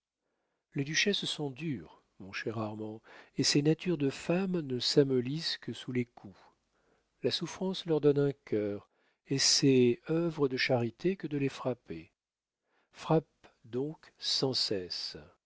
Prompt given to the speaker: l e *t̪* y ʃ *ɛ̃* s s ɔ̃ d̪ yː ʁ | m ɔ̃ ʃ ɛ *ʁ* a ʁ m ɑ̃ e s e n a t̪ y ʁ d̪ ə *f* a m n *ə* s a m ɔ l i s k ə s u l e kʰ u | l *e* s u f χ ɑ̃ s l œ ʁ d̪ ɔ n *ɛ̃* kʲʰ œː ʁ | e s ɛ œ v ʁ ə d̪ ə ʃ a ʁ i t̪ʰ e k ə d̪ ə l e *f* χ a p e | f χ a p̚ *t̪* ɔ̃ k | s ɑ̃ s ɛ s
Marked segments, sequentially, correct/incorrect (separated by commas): incorrect, incorrect, correct, correct, correct, incorrect, correct, correct, incorrect